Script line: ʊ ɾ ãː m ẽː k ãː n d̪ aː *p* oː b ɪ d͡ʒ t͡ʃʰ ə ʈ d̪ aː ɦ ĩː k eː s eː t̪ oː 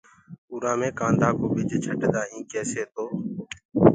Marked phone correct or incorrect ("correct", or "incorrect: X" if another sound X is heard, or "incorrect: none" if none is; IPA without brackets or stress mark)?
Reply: incorrect: k